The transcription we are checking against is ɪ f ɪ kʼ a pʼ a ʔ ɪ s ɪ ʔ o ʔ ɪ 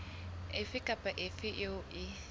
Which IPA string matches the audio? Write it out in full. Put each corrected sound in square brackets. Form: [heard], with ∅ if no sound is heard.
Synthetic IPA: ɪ f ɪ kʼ a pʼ a ʔ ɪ [f] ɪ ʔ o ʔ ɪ